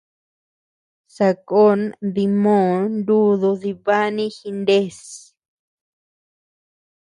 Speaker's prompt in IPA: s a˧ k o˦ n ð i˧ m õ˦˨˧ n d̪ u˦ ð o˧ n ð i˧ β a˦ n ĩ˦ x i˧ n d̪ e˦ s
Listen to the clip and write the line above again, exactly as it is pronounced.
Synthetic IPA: s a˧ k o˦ n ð i˧ m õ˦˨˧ n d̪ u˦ ð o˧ ð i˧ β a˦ n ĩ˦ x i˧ n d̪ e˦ s